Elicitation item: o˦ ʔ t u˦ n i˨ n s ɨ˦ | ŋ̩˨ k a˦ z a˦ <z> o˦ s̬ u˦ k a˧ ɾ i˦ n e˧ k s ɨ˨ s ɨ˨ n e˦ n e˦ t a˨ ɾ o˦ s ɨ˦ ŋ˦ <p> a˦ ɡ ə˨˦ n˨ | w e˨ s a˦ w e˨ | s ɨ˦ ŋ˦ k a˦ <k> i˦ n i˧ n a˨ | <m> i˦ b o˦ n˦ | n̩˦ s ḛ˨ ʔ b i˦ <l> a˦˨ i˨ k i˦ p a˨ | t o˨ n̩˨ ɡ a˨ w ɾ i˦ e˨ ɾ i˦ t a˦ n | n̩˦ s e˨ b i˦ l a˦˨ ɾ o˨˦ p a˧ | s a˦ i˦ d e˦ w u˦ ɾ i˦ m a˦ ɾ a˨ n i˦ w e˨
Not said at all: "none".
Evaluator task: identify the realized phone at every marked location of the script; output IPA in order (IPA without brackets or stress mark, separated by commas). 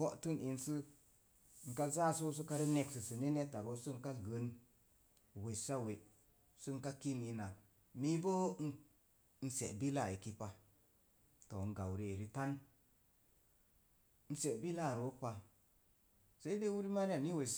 s, k, k, m, l